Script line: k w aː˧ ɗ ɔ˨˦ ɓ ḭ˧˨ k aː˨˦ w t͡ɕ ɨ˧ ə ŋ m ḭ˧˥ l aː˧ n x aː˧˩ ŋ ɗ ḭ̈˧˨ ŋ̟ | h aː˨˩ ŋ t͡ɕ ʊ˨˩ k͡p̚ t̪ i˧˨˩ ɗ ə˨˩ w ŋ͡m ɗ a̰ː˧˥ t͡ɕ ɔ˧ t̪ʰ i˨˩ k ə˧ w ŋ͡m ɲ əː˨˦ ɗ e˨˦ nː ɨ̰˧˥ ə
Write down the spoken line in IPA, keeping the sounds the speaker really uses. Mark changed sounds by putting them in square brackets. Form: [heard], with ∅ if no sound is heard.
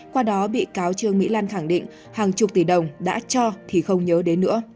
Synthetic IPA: k w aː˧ ɗ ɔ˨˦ ɓ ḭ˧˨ k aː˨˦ w t͡ɕ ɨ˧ ə ŋ m ḭ˧˥ l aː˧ n x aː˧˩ ŋ ɗ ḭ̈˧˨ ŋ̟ | h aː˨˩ ŋ t͡ɕ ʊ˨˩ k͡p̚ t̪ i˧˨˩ ɗ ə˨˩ w ŋ͡m ɗ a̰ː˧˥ t͡ɕ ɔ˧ t̪ʰ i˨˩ [x] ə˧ w ŋ͡m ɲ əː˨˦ ɗ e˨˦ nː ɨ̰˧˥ ə